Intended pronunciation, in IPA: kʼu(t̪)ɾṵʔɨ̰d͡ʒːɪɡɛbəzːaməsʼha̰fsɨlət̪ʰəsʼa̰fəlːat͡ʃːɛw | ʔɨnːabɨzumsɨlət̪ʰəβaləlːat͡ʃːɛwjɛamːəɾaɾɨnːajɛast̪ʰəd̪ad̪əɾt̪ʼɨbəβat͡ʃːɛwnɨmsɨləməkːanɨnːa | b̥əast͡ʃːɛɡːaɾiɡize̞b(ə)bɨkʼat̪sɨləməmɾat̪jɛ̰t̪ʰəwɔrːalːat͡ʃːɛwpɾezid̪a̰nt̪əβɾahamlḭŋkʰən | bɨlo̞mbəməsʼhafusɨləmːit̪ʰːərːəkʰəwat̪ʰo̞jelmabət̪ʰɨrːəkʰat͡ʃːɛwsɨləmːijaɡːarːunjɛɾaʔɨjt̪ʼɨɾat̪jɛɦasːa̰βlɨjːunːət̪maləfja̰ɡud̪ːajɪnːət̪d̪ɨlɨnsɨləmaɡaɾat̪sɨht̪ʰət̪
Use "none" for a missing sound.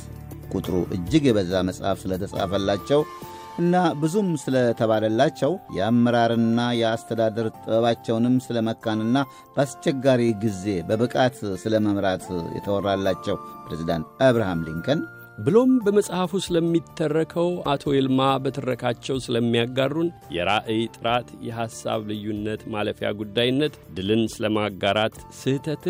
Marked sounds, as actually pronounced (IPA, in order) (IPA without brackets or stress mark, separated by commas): t̪ʼ, ə